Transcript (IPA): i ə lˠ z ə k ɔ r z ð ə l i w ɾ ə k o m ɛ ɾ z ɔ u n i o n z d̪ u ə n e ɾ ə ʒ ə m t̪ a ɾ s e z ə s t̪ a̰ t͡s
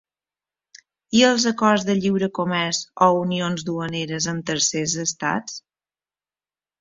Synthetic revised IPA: i ə lˠ z ə k ɔ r z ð ə ʎ i w ɾ ə k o m ɛ ɾ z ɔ u n i o n z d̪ u ə n e ɾ ə z ə m t̪ ə ɾ s e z ə s t̪ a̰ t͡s